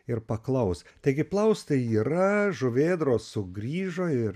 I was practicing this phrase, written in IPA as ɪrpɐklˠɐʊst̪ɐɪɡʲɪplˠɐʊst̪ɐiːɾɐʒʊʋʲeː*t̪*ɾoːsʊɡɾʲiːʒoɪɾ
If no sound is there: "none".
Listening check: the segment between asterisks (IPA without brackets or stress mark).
d̪